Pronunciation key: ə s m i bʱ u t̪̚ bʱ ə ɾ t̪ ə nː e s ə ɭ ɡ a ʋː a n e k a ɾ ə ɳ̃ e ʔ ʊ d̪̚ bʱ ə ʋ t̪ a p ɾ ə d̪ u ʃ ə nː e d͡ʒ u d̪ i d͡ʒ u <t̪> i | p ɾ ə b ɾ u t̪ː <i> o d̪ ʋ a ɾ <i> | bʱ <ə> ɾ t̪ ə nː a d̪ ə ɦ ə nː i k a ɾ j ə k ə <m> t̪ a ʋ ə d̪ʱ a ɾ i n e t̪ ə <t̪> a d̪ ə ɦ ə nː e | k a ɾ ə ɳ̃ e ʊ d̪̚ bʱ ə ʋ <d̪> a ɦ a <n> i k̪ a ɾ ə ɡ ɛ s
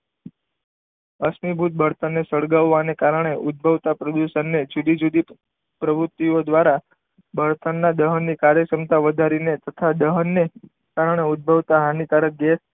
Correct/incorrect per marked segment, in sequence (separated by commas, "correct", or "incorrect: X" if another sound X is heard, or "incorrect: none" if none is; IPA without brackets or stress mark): incorrect: d̪, correct, incorrect: a, correct, correct, incorrect: t̪ʰ, incorrect: t̪, correct